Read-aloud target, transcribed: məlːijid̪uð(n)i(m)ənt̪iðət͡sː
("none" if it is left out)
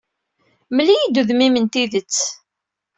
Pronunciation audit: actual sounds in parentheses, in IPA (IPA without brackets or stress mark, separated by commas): m, m